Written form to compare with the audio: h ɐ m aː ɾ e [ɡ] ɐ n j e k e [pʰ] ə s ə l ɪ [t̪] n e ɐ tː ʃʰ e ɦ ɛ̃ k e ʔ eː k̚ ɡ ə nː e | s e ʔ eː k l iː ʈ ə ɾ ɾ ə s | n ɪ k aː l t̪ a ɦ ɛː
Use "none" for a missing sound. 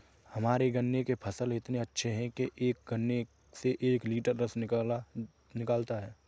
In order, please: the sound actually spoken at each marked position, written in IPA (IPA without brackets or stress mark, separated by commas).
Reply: ɡ, pʰ, t̪